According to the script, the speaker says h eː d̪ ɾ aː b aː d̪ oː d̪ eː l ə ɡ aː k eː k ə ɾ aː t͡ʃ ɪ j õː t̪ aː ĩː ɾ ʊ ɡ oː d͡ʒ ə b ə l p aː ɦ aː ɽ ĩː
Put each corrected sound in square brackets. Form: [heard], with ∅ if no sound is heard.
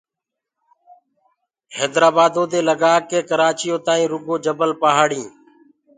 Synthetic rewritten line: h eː d̪ ɾ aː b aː d̪ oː d̪ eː l ə ɡ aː k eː k ə ɾ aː t͡ʃ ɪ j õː t̪ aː ĩː ɾ ʊ ɡ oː d͡ʒ ə b ə l p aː ɦ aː ɽ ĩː